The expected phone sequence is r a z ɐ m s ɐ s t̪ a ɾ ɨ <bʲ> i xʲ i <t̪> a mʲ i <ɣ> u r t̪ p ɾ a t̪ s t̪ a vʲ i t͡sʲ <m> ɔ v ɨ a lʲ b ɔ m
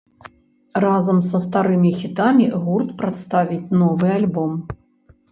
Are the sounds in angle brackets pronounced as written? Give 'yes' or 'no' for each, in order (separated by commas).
no, yes, yes, no